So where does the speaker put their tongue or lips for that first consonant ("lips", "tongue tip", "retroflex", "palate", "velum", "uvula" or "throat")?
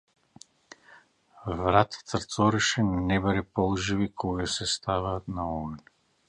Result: lips